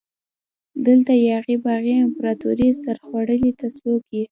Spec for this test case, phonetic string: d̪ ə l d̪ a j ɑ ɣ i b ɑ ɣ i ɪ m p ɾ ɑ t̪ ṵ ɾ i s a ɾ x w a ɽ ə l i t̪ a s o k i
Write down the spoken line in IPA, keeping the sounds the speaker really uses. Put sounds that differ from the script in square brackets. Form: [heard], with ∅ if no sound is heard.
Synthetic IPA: d̪ ə l [t̪] a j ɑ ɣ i b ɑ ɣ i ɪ m p ɾ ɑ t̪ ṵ ɾ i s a ɾ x w a ɽ ə l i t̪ a s o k i